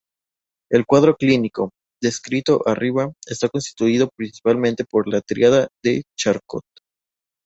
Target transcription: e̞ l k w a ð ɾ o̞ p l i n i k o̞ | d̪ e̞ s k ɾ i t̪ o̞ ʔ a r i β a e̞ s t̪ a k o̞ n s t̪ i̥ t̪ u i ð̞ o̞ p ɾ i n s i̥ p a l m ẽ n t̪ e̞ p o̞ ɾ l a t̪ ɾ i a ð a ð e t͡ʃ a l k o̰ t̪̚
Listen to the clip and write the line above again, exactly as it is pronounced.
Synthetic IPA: e̞ l k w a ð ɾ o̞ k l i n i k o̞ | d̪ e̞ s k ɾ i t̪ o̞ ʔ a r i β a e̞ s t̪ a k o̞ n s t̪ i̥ t̪ u i ð̞ o̞ p ɾ i n s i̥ p a l m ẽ n t̪ e̞ p o̞ ɾ l a t̪ ɾ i a ð a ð e t͡ʃ a ɾ k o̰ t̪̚

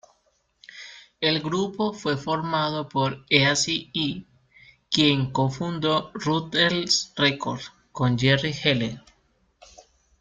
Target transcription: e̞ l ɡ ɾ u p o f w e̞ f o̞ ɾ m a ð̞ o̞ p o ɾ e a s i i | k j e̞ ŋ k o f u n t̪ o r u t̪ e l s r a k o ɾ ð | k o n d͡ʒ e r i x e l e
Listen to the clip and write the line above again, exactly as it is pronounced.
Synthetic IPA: e̞ l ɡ ɾ u p o f w e̞ f o̞ ɾ m a ð̞ o̞ p o ɾ e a s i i | k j e̞ ŋ k o f u n d̪ o r u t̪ e l s r e k o ɾ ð | k o n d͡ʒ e r i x e l e

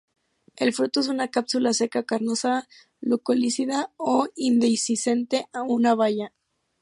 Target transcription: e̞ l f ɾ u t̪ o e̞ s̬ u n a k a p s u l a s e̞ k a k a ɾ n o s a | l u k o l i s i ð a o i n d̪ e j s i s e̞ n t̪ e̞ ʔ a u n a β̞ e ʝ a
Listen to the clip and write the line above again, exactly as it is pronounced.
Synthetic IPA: e̞ l f ɾ u t̪ o e̞ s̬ u n a k a p s u l a s e̞ k a k a ɾ n o s a | l u k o l i s i ð a o i n d̪ e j s i s e̞ n t̪ e̞ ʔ a u n a β̞ a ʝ a

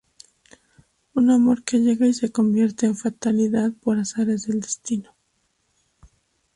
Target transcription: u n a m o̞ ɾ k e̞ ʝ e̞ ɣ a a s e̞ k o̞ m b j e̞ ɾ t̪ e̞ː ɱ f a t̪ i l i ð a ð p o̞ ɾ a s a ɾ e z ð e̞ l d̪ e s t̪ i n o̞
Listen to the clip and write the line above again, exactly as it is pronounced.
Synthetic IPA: u n a m o̞ ɾ k e̞ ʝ e̞ ɣ a i s e̞ k o̞ m b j e̞ ɾ t̪ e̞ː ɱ f a t̪ a l i ð a ð p o̞ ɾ a s a ɾ e z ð e̞ l d̪ e s t̪ i n o̞

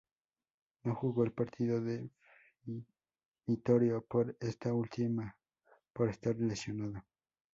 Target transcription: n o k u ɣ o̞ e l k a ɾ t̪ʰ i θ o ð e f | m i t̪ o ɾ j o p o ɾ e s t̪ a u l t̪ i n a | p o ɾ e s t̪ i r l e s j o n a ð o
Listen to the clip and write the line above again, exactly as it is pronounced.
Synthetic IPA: n o x u ɣ o̞ e l p a ɾ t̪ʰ i ð o ð e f | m i t̪ o ɾ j o p o ɾ e s t̪ a u l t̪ i m a | p o ɾ e s t̪ a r l e s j o n a ð o

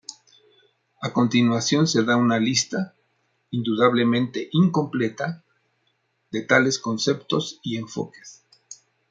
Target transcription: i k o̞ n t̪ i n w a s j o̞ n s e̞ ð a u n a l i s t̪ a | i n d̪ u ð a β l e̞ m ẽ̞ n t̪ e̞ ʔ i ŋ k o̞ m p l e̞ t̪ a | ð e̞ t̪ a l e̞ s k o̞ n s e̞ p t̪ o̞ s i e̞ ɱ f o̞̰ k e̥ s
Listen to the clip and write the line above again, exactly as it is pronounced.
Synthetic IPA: a k o̞ n t̪ i n w a s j o̞ n s e̞ ð a u n a l i s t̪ a | i n d̪ u ð a β l e̞ m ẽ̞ n t̪ e̞ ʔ i ŋ k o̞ m p l e̞ t̪ a | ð e̞ t̪ a l e̞ s k o̞ n s e̞ p t̪ o̞ s i e̞ ɱ f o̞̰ k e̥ s

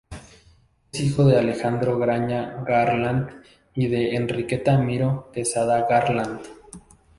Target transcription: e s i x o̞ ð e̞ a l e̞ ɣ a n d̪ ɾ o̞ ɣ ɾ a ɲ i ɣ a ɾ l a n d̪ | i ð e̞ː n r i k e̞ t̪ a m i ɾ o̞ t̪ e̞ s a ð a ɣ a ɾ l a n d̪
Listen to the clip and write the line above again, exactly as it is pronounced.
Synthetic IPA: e s i x o̞ ð e̞ a l e̞ x a n d̪ ɾ o̞ ɣ ɾ a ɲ a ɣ a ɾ l a n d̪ | i ð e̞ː n r i k e̞ t̪ a m i ɾ o̞ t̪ e̞ s a ð a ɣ a ɾ l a n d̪

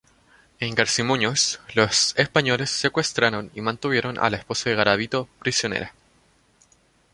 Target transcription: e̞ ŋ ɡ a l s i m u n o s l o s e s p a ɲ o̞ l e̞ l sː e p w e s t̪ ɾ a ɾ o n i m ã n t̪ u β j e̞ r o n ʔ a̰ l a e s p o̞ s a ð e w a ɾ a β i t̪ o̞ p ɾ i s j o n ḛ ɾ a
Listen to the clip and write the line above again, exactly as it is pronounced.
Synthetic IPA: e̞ ŋ ɡ a ɾ s i m u ɲ o s l o s e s p a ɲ o̞ l e̞ sː e k w e s t̪ ɾ a ɾ o n i m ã n t̪ u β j e̞ ɾ o n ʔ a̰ l a e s p o̞ s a ð e ɣ a ɾ a β i t̪ o̞ p ɾ i s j o n ḛ ɾ a

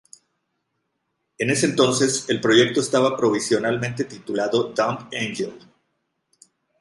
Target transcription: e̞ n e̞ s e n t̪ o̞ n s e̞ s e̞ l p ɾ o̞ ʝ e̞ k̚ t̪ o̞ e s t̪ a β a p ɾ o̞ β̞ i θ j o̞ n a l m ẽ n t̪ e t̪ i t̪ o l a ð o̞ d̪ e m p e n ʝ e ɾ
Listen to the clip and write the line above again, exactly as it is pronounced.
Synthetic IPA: e̞ n e̞ s e n t̪ o̞ n s e̞ s e̞ l p ɾ o̞ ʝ e̞ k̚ t̪ o̞ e s t̪ a β a p ɾ o̞ β̞ i s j o̞ n a l m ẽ n t̪ e t̪ i t̪ u l a ð o̞ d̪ a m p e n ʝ e l

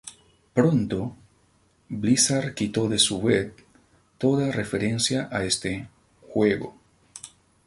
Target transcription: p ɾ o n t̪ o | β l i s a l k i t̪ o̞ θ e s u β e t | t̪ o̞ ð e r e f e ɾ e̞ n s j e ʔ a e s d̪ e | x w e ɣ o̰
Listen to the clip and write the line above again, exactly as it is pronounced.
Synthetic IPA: p ɾ o n t̪ o | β l i s a ɾ k i t̪ o̞ ð e s u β e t | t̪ o̞ ð a r e f e ɾ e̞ n s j a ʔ a e s t̪ e | x w e ɣ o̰

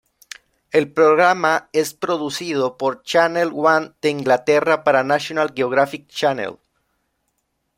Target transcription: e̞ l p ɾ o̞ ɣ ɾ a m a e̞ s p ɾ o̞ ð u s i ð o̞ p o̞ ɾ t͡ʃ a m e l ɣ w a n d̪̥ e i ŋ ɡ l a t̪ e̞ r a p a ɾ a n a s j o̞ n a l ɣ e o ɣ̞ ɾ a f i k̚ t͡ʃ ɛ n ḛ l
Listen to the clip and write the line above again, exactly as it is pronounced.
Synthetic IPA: e̞ l p ɾ o̞ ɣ ɾ a m a e̞ s p ɾ o̞ ð u s i ð o̞ p o̞ ɾ t͡ʃ a n e l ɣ w a n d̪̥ e i ŋ ɡ l a t̪ e̞ r a p a ɾ a n a s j o̞ n a l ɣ e o ɣ̞ ɾ a f i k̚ t͡ʃ a n ḛ l

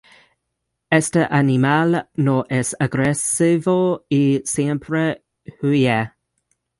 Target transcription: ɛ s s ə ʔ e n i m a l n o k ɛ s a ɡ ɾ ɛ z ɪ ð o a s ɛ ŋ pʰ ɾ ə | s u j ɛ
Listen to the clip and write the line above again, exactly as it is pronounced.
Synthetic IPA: ɛ s t ə ʔ a n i m a l n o ʔ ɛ s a ɡ ɾ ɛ s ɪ v o i s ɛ m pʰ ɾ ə | h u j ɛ

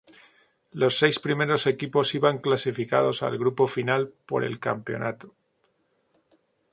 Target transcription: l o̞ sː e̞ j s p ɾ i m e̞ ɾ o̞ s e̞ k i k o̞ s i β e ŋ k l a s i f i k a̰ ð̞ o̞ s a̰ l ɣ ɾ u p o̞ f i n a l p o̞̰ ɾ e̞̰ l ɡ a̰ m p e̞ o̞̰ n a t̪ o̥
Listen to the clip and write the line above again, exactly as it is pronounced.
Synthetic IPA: l o̞ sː e̞ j s p ɾ i m e̞ ɾ o̞ s e̞ k i p o̞ s i β a ŋ k l a s i f i k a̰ ð̞ o̞ s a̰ l ɣ ɾ u p o̞ f i n a l p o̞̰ ɾ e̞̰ l k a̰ m p e̞ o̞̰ n a t̪ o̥

